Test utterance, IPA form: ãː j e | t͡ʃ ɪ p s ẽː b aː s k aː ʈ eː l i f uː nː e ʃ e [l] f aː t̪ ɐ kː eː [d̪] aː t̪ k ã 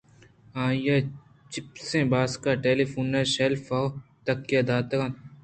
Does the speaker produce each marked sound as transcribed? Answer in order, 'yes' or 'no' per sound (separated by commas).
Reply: yes, yes